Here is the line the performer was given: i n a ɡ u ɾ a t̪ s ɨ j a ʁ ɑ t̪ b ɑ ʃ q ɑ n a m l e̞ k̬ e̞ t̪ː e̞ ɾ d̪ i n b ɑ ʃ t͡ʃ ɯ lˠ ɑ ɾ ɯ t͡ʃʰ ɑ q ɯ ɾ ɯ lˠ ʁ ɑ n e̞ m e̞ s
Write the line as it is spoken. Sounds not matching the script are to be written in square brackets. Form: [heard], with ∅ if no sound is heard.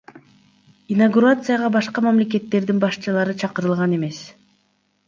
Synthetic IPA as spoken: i n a ɡ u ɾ a t̪ s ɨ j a ʁ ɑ [∅] b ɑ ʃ q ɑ [m] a m l e̞ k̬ e̞ t̪ː e̞ ɾ d̪ i n b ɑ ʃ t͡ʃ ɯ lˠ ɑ ɾ ɯ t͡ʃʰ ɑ q ɯ ɾ ɯ lˠ ʁ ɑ n e̞ m e̞ s